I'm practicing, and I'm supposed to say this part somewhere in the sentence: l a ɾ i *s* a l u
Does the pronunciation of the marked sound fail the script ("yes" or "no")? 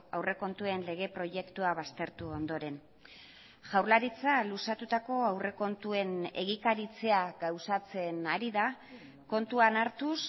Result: yes